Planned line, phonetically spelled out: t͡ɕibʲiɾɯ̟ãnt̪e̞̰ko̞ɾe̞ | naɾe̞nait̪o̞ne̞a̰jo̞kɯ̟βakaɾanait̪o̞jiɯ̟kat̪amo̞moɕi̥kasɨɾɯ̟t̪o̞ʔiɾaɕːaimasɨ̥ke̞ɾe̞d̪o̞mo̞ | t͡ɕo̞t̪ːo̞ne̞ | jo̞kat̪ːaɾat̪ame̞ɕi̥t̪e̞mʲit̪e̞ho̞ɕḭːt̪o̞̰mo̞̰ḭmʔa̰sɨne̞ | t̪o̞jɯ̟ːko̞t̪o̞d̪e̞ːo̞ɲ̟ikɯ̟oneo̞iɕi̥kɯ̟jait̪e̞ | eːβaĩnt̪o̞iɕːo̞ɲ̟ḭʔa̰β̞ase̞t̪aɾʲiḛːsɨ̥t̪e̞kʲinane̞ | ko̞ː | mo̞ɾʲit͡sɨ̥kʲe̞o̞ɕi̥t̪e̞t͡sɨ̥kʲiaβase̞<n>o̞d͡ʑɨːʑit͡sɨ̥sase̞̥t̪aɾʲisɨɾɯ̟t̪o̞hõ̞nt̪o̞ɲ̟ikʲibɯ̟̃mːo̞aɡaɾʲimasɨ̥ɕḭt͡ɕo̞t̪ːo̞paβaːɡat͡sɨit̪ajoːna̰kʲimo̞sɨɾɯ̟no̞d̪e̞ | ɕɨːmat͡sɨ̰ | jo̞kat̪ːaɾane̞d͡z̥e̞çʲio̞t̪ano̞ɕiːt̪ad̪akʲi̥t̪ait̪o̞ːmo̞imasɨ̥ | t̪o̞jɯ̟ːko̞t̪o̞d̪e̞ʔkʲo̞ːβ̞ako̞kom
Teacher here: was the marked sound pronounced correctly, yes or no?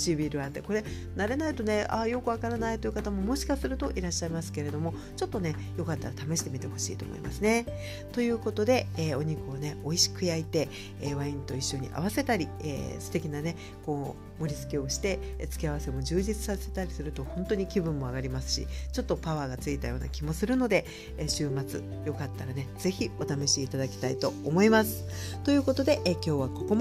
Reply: no